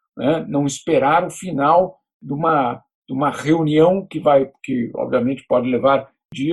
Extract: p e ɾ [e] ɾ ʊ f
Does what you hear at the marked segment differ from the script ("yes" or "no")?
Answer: yes